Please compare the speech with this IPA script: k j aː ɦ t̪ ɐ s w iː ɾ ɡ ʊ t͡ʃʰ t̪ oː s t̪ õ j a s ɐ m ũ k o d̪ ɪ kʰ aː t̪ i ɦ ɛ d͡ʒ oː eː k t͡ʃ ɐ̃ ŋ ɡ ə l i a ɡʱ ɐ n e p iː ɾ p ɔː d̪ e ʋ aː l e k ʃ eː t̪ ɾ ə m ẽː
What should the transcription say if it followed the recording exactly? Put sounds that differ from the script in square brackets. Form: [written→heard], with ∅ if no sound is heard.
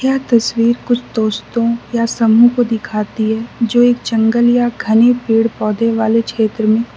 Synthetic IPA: k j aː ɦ t̪ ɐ s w iː ɾ [ɡ→k] ʊ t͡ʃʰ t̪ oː s t̪ õ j a s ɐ m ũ k o d̪ ɪ kʰ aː t̪ i ɦ ɛ d͡ʒ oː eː k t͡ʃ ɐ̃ ŋ ɡ ə l [i→j] a ɡʱ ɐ n e p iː [ɾ→ɽ] p ɔː d̪ e ʋ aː l e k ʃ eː t̪ ɾ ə m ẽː